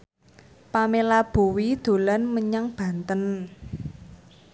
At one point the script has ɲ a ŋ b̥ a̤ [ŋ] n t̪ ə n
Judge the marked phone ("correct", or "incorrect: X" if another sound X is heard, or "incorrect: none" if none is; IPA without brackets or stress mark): incorrect: none